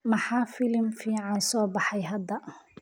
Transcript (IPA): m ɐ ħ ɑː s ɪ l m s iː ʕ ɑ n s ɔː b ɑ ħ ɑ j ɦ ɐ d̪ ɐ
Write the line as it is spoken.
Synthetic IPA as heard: m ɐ ħ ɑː f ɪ l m f iː ʕ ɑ n s ɔː b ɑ ħ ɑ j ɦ ɐ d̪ ɐ